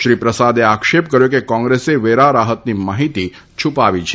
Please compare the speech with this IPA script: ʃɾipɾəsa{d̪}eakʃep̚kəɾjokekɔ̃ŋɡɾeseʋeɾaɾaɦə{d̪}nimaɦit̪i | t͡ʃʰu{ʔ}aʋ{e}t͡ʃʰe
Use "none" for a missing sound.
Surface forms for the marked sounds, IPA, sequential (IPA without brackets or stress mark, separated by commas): d̪, t̪, p, i